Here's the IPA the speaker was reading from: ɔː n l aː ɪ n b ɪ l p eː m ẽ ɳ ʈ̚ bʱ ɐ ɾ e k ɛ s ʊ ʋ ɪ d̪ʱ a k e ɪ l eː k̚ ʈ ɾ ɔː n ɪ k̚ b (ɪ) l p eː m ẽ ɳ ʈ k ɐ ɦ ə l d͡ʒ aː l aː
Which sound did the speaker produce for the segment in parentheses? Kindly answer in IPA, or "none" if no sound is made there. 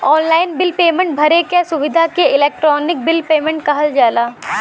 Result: ɪ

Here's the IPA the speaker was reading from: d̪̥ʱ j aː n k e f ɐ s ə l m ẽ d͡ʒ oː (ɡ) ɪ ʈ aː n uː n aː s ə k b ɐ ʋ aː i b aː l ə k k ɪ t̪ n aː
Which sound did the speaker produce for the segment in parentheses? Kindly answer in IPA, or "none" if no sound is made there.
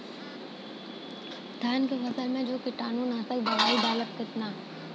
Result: k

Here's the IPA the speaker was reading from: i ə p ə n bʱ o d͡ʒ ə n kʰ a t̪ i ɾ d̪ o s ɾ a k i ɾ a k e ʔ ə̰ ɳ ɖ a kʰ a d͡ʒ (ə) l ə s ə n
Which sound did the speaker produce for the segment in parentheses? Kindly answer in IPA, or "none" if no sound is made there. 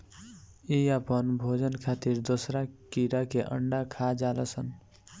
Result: a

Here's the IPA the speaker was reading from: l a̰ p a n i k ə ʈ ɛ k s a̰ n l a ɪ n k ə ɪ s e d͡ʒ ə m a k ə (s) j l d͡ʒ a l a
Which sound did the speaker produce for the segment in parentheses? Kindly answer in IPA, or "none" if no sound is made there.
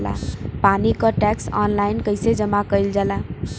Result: none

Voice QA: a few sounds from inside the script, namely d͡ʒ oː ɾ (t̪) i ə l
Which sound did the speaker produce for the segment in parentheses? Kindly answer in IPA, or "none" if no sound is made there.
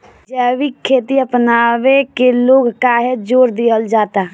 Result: d̪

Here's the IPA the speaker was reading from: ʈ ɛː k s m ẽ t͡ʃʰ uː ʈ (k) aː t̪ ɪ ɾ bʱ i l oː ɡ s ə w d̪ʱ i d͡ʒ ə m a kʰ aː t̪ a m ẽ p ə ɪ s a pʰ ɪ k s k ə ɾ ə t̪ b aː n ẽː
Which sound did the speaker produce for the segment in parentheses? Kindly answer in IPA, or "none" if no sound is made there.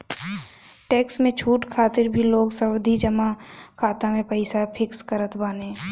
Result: kʰ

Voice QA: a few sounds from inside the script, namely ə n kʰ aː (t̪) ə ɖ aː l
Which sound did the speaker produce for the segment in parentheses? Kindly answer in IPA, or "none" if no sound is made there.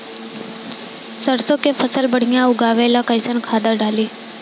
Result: d̪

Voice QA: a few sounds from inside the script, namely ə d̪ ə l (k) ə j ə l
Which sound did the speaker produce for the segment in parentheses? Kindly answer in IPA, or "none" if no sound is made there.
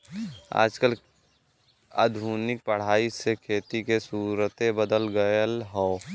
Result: ɡ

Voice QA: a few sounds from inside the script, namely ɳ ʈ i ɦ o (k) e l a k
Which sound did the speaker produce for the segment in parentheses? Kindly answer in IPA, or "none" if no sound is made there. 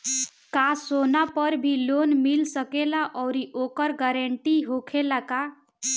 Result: kʰ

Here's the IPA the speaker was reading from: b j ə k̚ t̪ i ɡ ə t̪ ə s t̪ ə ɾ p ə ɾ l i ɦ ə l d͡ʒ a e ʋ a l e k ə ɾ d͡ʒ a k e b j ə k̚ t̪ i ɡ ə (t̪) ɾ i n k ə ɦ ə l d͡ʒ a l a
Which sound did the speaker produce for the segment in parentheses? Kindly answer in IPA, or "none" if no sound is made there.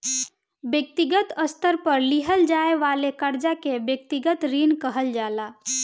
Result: t̪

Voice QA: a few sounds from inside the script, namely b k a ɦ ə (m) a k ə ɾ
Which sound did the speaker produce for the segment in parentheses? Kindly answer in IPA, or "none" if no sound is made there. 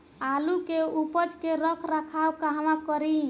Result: m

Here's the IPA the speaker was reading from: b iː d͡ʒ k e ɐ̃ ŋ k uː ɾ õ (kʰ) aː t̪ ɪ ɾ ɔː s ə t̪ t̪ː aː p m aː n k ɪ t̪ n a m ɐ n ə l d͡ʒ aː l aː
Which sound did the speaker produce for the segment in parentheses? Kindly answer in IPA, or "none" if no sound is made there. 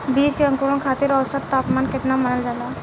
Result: kʰ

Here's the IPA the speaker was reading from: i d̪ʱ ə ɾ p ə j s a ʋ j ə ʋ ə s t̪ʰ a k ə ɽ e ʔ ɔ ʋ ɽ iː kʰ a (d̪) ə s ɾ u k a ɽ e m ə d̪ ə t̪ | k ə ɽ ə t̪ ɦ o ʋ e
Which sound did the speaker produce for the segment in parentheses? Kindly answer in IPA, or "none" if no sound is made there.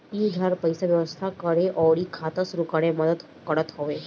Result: t̪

